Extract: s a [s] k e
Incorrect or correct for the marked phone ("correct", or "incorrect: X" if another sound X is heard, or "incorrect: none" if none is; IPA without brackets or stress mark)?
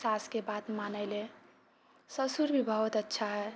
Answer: correct